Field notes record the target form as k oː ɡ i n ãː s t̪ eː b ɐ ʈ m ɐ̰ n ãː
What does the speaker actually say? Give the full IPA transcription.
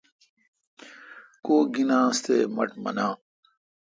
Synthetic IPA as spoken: k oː ɡ i n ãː s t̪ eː m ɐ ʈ m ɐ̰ n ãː